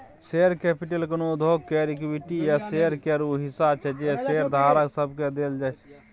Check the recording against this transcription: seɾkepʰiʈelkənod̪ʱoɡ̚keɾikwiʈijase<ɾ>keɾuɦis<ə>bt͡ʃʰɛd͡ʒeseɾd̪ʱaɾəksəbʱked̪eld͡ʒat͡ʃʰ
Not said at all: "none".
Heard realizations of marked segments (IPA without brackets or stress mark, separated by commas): ɾ, a